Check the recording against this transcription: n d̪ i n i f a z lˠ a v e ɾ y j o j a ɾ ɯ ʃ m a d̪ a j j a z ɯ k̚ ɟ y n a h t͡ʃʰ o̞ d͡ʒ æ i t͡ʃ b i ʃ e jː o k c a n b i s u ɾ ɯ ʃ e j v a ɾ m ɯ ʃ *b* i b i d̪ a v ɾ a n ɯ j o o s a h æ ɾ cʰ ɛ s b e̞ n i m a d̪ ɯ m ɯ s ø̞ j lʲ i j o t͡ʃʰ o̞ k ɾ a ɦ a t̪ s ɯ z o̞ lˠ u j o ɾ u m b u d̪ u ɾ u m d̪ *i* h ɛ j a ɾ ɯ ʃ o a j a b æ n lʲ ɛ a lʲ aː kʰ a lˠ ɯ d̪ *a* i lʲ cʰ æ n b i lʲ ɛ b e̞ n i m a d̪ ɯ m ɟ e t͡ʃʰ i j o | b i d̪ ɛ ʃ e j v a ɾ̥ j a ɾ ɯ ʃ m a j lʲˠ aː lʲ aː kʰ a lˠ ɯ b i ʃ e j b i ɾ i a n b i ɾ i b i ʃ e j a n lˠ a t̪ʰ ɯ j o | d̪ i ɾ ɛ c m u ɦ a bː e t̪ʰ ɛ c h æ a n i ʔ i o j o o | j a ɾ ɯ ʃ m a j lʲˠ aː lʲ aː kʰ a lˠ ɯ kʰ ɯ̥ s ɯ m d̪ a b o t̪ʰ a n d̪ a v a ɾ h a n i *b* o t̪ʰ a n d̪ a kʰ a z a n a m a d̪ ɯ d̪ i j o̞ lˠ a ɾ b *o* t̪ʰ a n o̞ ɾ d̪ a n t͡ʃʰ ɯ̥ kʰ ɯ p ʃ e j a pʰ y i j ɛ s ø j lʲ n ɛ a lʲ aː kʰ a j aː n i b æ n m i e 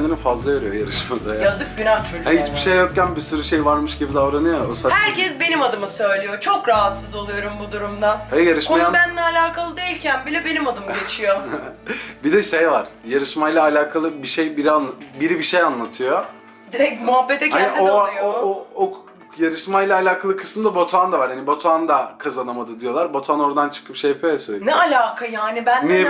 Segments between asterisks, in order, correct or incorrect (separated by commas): incorrect, incorrect, incorrect, correct, correct